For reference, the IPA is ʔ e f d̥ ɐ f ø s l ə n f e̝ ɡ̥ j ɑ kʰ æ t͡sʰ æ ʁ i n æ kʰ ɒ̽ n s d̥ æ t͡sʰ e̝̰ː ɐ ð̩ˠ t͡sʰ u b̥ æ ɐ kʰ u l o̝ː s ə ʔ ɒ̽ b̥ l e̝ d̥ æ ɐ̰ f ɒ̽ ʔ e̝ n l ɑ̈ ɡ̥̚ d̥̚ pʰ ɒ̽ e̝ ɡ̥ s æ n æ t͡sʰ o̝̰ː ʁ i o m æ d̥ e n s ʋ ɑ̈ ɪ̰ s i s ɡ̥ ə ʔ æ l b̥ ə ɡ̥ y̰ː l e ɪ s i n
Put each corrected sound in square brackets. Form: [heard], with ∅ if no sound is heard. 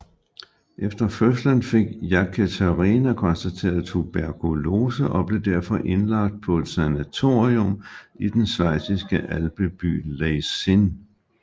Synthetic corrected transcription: ʔ e f d̥ ɐ f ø s l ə n f e̝ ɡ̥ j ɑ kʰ æ t͡sʰ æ ʁ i n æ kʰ ɒ̽ n s d̥ æ t͡sʰ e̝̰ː ɐ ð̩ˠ t͡sʰ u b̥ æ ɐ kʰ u l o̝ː s ə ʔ ɒ̽ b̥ l e̝ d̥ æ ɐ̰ f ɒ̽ ʔ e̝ n l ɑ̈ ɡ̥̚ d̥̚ pʰ ɒ̽ e̝ [d̥] s æ n æ t͡sʰ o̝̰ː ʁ i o m [i] d̥ e n s ʋ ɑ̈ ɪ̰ s i s ɡ̥ ə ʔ æ l b̥ ə [b̥] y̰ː l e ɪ s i n